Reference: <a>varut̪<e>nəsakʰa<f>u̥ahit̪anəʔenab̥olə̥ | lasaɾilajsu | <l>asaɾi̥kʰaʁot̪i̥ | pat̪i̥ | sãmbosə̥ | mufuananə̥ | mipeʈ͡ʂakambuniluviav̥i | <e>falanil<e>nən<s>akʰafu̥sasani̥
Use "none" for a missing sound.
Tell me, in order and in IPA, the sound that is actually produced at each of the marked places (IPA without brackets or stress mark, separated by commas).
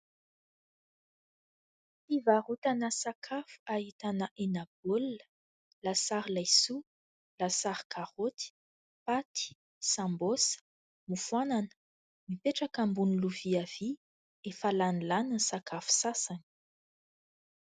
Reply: i, a, f, l, e, a, s